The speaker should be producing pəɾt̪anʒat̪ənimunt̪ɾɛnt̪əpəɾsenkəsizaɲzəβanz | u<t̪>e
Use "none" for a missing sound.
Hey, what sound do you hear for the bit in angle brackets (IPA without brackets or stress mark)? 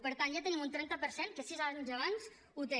t̪